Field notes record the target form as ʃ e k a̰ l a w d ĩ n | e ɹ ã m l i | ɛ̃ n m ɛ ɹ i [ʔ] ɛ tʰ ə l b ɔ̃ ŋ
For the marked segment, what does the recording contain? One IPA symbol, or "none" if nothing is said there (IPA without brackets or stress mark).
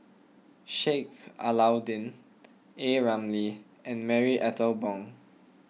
ʔ